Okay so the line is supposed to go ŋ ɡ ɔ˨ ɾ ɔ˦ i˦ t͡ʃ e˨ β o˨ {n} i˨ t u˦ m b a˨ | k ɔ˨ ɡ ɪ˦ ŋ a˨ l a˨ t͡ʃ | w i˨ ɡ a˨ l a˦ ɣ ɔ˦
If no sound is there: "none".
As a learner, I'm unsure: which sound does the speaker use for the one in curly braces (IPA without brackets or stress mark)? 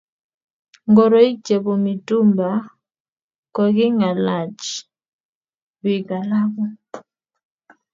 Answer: m